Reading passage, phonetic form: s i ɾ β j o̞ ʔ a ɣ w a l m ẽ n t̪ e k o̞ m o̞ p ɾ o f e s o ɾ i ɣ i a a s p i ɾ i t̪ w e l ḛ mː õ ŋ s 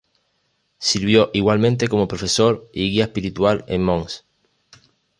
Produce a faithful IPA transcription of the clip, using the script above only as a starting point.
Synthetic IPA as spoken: s i ɾ β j o̞ ʔ i ɣ w a l m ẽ n t̪ e k o̞ m o̞ p ɾ o f e s o ɾ i ɣ i a e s p i ɾ i t̪ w a l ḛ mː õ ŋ s

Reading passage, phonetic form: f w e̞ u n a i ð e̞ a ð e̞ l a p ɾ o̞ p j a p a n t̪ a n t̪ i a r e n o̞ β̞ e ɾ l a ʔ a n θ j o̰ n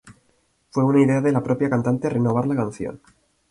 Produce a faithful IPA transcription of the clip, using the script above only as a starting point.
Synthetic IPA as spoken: f w e̞ u n a i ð e̞ a ð e̞ l a p ɾ o̞ p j a k a n t̪ a n t̪ e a r e n o̞ β̞ a ɾ l a k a n θ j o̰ n

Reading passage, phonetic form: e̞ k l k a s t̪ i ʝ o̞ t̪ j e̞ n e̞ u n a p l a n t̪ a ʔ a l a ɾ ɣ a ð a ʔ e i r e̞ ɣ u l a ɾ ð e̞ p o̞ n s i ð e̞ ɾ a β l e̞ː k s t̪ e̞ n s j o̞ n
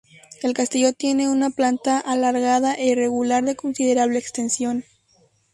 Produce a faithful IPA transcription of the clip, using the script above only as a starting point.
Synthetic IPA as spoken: e̞ l k a s t̪ i ʝ o̞ t̪ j e̞ n e̞ u n a p l a n t̪ a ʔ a l a ɾ ɣ a ð a ʔ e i r e̞ ɣ u l a ɾ ð e̞ k o̞ n s i ð e̞ ɾ a β l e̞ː k s t̪ e̞ n s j o̞ n

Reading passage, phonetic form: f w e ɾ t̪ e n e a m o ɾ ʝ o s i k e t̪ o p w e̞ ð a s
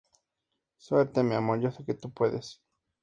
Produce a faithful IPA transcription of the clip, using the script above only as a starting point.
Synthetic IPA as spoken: s w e ɾ t̪ e m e a m o ɾ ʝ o s e k e t̪ u p w e̞ ð e s

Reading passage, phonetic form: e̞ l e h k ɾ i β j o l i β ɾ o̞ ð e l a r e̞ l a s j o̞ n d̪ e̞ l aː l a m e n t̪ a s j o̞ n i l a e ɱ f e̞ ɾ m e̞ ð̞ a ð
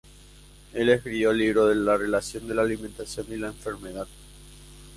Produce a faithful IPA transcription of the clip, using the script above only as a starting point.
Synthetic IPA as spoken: e̞ l e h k ɾ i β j o l i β ɾ o̞ ð e l a r e̞ l a s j o̞ n d̪ e̞ l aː l i m e n t̪ a s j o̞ n i l a e ɱ f e̞ ɾ m e̞ ð̞ a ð

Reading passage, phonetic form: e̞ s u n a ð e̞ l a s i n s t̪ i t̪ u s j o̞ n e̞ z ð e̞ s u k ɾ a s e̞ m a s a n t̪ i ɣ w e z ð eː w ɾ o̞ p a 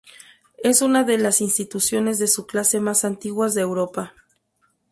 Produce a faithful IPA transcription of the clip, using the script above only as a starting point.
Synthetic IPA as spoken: e̞ s u n a ð e̞ l a s i n s t̪ i t̪ u s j o̞ n e̞ z ð e̞ s u k l a s e̞ m a s a n t̪ i ɣ w a z ð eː w ɾ o̞ p a

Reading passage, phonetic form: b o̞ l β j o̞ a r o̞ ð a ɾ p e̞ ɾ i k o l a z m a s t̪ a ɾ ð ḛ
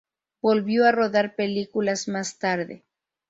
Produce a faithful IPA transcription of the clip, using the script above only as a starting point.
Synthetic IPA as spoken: b o̞ l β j o̞ a r o̞ ð a ɾ p e̞ l i k u l a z m a s t̪ a ɾ ð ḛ

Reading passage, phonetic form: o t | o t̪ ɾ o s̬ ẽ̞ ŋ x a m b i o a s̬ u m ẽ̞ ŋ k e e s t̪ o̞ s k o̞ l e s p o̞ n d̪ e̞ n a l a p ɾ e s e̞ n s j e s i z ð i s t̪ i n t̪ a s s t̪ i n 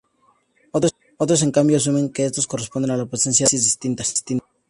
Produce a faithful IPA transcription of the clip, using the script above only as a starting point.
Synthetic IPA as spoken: o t | o t̪ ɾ o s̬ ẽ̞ ŋ k a m b j o a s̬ u m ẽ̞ ŋ k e e s t̪ o̞ s k o̞ r e s p o̞ n d̪ e̞ n a l a p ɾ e s e̞ n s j a s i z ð i s t̪ i n t̪ a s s t̪ i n

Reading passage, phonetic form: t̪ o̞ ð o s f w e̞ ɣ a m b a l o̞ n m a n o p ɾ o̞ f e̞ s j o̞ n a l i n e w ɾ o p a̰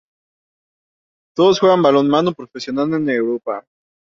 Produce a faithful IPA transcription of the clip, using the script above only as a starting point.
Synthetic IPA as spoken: t̪ o̞ ð o s x w e̞ ɣ a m b a l o̞ n m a n o p ɾ o̞ f e̞ s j o̞ n a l e n e w ɾ o p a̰

